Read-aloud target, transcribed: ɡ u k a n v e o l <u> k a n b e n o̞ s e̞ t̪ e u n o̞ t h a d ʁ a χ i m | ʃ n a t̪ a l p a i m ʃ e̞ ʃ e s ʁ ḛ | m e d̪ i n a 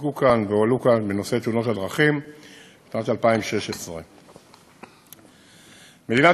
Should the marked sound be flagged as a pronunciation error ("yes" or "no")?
no